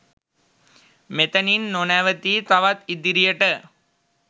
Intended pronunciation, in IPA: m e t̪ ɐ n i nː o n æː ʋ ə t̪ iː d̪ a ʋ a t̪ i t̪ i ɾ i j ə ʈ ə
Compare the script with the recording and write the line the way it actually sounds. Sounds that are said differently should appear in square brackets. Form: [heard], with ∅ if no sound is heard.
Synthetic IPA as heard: m e t̪ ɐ n i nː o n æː ʋ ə t̪ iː [t̪] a ʋ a t̪ i [d̪] i ɾ i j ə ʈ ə